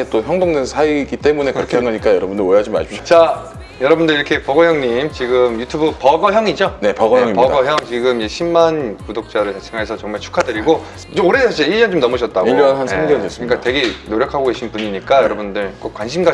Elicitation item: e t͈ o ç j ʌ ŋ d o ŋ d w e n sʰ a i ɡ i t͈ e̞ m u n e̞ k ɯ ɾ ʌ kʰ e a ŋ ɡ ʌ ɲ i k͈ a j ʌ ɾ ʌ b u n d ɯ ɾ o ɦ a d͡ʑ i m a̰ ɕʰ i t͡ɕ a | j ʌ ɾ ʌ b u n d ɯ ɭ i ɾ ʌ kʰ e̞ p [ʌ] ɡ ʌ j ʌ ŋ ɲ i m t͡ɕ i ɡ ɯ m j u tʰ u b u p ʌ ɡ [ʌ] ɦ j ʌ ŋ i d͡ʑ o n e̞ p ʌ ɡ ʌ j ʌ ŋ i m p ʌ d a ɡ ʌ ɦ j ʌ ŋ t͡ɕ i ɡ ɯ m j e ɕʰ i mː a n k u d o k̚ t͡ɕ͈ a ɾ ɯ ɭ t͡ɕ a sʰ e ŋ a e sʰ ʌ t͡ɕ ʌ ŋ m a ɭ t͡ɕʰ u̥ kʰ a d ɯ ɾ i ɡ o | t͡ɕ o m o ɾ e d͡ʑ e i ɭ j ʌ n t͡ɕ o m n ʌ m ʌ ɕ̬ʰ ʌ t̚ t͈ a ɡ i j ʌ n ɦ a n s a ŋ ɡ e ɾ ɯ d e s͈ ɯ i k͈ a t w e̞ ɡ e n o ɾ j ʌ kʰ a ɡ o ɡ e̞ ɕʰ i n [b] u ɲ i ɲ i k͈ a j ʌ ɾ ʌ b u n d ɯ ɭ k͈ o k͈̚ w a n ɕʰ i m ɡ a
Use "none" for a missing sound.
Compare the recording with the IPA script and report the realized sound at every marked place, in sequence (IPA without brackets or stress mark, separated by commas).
ʌ, ʌ, p